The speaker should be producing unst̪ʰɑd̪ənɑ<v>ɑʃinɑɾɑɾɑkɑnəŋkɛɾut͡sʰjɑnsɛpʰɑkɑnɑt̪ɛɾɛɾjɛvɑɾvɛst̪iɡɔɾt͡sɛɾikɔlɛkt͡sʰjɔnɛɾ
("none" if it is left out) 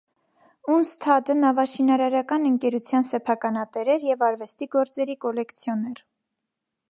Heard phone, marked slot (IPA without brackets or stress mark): v